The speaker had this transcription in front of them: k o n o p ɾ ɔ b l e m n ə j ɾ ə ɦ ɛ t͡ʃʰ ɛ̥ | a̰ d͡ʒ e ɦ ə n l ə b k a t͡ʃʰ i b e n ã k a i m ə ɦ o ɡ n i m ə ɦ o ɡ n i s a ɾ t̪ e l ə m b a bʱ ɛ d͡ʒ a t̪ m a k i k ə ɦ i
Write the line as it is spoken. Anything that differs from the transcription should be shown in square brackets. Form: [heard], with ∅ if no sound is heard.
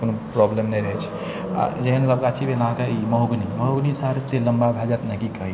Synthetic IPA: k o n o p ɾ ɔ b l e m n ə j ɾ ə ɦ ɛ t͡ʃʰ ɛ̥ | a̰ d͡ʒ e ɦ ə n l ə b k a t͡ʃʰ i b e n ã k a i m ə ɦ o ɡ n i m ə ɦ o ɡ n i s a ɾ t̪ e l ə m b a bʱ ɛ d͡ʒ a t̪ [n] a k i k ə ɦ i